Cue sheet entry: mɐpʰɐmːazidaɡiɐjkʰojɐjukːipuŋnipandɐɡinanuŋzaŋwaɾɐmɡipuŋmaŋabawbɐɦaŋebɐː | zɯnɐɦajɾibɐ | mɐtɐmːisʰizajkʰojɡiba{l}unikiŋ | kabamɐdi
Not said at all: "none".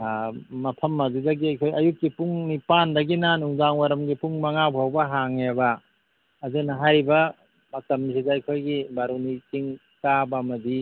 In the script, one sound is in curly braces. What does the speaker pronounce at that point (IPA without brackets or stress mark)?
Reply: ɾ